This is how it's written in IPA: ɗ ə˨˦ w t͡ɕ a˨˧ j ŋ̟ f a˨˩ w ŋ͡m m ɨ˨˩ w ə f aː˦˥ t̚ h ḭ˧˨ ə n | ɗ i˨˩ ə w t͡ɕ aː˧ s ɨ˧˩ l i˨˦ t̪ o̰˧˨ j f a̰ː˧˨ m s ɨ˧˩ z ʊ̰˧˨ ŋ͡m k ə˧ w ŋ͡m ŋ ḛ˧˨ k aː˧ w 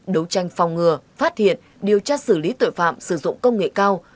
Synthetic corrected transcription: ɗ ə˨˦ w t͡ɕ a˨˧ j ŋ̟ f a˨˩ w ŋ͡m ŋ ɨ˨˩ ə f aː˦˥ t̚ h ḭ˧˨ ə n | ɗ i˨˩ ə w t͡ɕ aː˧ s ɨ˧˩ l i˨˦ t̪ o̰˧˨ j f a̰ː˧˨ m s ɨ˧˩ z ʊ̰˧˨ ŋ͡m k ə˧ w ŋ͡m ŋ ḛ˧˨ k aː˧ w